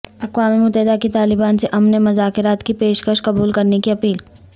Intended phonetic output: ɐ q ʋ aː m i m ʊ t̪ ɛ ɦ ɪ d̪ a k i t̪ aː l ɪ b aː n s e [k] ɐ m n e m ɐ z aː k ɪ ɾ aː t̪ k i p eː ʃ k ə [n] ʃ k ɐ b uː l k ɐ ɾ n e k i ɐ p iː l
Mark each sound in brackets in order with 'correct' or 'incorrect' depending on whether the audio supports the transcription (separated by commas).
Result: incorrect, incorrect